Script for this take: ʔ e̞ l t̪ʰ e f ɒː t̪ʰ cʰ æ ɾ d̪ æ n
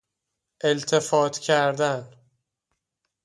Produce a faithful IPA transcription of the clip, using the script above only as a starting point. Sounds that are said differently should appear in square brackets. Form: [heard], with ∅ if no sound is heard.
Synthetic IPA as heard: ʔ e̞ l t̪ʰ e f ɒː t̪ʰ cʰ æ ɾ d̪ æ n